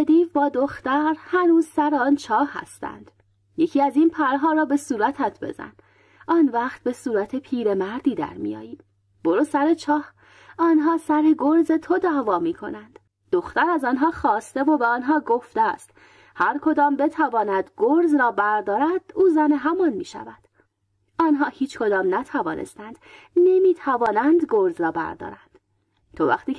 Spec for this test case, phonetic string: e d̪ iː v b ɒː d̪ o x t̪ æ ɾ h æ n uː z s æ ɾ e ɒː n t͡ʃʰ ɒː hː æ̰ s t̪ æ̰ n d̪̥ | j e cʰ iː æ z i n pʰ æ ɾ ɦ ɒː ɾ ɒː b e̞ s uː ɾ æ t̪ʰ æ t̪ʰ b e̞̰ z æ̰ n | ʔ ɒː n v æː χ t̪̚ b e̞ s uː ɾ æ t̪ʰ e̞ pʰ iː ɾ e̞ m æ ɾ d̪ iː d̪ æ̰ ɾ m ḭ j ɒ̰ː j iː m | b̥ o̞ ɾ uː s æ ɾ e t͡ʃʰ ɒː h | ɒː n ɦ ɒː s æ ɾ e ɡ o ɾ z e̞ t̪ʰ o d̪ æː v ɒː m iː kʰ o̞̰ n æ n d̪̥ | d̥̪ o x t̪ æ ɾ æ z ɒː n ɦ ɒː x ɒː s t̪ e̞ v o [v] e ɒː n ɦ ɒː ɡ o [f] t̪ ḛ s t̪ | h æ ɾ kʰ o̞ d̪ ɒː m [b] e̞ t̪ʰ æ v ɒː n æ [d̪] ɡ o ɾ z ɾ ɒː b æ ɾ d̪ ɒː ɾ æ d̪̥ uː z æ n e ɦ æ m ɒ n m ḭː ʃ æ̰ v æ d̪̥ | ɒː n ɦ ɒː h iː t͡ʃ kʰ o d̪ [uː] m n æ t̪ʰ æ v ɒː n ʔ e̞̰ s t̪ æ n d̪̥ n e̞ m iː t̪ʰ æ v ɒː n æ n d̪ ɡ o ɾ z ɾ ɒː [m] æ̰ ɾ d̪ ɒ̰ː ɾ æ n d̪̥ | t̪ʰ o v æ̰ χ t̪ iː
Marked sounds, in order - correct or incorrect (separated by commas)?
incorrect, correct, correct, correct, incorrect, incorrect